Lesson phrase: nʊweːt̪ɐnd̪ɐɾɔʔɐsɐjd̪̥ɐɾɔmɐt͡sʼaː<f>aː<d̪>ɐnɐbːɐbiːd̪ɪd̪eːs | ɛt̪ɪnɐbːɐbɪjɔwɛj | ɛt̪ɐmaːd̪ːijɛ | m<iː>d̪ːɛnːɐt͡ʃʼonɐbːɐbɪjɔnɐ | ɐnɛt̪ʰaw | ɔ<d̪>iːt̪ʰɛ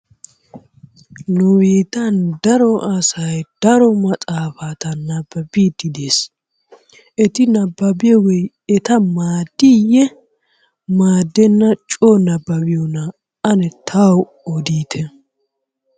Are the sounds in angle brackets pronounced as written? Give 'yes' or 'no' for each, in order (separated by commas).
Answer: yes, no, no, yes